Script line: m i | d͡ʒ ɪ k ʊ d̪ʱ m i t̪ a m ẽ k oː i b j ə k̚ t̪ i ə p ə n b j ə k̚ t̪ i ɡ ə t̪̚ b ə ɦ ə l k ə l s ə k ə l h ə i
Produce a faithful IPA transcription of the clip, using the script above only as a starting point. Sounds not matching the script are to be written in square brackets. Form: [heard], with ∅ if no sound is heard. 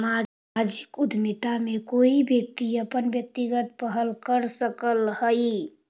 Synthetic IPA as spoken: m [a] | d͡ʒ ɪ k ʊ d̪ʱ m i t̪ a m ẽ k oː i b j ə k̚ t̪ i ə p ə n b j ə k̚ t̪ i ɡ ə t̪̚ [p] ə ɦ ə l k ə [ɾ] s ə k ə l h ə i